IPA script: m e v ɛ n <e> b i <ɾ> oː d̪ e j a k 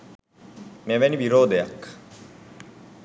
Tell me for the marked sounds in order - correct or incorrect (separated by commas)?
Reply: incorrect, correct